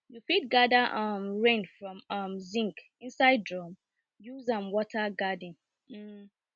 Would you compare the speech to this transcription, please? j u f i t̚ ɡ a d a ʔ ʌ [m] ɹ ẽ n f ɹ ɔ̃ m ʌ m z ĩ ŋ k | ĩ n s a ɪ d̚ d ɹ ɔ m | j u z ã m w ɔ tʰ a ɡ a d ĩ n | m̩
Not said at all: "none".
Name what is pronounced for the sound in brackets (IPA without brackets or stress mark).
m